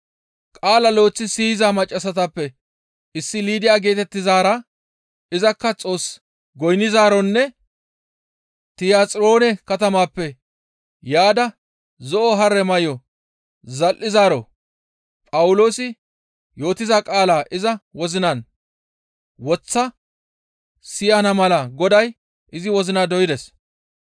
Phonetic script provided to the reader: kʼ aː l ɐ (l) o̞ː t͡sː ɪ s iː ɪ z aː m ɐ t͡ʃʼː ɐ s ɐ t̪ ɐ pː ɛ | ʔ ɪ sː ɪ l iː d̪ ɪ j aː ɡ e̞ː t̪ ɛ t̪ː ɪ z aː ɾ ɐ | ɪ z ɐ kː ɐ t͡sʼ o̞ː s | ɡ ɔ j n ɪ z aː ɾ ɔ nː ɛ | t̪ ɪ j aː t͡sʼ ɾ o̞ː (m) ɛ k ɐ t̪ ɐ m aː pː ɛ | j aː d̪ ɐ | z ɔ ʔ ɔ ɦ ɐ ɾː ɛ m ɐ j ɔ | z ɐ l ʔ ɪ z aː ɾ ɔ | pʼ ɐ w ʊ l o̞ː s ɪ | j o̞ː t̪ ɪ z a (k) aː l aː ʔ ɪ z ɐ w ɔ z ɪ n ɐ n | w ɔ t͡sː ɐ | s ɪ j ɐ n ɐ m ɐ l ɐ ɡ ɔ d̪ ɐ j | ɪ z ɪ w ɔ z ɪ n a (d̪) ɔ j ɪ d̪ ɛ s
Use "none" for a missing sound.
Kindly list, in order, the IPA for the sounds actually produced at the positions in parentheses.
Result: l, n, kʼ, d̪

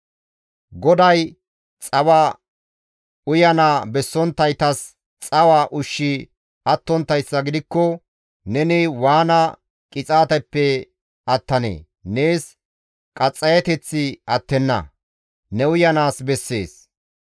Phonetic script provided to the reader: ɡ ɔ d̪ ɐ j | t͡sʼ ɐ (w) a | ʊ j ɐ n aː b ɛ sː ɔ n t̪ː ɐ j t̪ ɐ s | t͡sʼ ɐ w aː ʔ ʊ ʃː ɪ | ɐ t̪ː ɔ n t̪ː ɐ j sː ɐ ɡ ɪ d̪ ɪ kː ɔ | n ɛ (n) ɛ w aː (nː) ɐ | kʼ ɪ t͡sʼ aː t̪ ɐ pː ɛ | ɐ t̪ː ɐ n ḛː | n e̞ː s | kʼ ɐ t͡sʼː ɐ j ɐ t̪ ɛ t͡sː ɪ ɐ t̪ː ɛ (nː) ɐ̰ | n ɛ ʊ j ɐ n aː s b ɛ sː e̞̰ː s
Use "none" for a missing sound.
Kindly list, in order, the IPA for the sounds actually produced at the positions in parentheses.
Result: w, n, n, nː

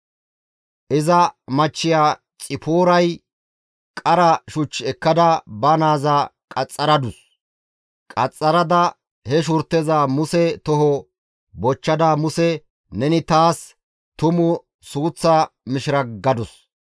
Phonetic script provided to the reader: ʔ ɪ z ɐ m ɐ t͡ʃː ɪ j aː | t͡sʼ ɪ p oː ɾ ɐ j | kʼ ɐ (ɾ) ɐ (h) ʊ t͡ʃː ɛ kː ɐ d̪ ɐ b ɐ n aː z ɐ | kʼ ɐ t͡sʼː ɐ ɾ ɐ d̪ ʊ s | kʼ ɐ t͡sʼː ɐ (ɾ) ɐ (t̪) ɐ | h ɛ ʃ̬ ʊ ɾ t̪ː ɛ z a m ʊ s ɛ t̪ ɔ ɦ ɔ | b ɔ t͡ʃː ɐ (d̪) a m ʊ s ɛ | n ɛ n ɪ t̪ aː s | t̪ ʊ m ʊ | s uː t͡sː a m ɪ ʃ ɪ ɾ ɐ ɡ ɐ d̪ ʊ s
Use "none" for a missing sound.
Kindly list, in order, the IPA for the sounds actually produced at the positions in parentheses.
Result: ɾ, ʃ, ɾ, d̪, d̪

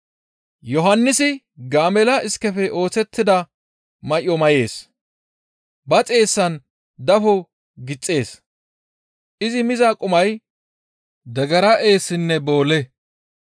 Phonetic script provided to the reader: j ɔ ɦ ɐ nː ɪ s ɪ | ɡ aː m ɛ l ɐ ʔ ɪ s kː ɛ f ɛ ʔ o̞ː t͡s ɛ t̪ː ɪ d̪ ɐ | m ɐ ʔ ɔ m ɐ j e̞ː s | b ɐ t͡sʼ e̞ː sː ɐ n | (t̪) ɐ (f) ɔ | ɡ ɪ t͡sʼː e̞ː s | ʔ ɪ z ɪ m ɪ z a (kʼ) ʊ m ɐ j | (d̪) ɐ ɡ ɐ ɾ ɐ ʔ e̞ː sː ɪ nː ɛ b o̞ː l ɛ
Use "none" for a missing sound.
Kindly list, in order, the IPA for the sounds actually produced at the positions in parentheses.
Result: d̪, f, kʼ, d̪

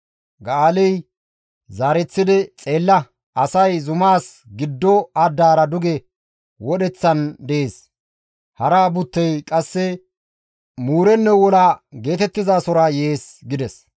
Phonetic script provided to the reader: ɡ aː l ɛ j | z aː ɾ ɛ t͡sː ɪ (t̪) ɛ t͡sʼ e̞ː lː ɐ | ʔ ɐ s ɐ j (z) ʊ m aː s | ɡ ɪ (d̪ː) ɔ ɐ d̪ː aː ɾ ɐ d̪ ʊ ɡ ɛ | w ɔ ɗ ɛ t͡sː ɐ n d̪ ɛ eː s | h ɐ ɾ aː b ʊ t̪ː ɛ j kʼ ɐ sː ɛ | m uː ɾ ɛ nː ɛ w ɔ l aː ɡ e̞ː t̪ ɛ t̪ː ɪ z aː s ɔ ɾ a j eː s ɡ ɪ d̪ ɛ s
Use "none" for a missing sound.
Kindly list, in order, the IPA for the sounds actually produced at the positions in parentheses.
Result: d̪, z, d̪ː

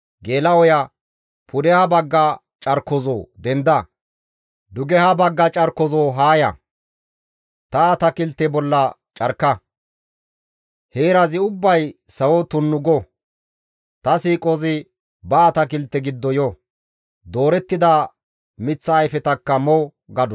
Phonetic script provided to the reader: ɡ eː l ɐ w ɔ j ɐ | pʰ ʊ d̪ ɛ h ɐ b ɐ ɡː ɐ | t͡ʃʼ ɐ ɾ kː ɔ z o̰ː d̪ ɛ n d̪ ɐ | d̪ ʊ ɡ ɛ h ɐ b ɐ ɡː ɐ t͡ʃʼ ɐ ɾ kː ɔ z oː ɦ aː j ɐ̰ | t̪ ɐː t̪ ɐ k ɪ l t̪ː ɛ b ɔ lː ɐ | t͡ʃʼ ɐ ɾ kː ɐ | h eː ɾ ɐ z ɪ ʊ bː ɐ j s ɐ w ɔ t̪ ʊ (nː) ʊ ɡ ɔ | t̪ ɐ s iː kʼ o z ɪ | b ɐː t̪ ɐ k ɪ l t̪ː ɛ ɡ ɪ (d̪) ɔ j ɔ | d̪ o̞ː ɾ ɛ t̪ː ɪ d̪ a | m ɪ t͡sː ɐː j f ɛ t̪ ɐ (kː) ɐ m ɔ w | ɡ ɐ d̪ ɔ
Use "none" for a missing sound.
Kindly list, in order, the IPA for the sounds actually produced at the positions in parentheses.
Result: nː, d̪ː, kː

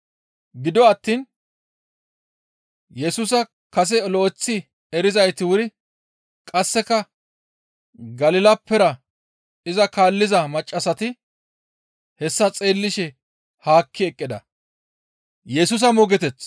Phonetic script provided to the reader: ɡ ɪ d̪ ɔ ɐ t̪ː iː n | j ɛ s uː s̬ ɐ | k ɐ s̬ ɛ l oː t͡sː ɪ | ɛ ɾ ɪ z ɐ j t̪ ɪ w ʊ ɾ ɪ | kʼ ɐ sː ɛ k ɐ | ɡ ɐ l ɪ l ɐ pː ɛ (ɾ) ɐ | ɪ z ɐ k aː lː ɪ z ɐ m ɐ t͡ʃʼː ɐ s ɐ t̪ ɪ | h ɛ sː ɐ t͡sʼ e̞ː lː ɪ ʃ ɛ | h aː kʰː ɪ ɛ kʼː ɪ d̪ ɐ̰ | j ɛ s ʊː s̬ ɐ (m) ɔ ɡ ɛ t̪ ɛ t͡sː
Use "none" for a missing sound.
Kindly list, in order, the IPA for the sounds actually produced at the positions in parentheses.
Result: ɾ, m

